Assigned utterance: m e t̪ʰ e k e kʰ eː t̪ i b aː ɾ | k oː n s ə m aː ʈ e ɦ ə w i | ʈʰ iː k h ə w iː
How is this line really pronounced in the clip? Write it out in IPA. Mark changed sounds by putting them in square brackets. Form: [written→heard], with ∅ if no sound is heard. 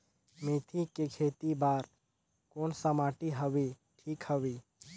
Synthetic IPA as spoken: m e t̪ʰ [e→i] k e kʰ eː t̪ i b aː ɾ | k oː n s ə m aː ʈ [e→i] ɦ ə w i | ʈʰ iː k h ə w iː